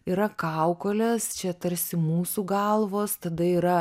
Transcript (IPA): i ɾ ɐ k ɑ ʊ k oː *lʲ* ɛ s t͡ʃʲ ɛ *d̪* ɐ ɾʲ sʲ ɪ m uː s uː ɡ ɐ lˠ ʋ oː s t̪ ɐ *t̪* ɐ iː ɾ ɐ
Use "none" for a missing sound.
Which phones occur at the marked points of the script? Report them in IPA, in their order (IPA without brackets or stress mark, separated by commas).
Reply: lʲ, t̪, d̪